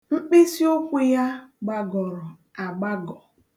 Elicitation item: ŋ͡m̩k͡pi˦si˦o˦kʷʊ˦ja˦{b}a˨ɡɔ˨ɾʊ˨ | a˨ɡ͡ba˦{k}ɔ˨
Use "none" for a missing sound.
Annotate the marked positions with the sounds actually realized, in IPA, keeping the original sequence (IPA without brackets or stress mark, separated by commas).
ɡ͡b, ɡ